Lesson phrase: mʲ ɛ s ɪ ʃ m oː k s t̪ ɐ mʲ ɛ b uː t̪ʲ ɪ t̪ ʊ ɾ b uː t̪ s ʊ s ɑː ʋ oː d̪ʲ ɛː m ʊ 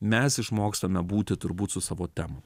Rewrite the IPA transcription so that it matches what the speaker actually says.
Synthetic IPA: mʲ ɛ s ɪ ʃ m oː k s t̪ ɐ mʲ ɛ b uː t̪ʲ ɪ t̪ ʊ ɾ b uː t̪ s ʊ s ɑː ʋ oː t̪ʲ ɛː m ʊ